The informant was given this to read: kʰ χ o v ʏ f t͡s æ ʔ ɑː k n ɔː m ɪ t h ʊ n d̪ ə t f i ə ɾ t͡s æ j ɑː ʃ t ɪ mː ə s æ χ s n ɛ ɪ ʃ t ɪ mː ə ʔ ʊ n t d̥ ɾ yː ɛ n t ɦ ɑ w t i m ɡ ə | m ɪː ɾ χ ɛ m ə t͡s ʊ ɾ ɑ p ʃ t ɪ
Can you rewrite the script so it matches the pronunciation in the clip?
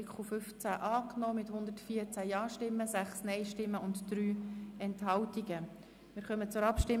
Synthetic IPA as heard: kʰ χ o f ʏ f t͡s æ ʔ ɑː k n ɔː m ɪ t h ʊ n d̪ ə t f i ə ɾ t͡s æ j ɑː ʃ t ɪ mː ə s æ χ s n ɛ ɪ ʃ t ɪ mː ə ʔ ʊ n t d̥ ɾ yː ɛ n t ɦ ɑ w t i ɡ ə | m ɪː ɾ χ œ m ə t͡s ʊ ɾ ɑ p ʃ t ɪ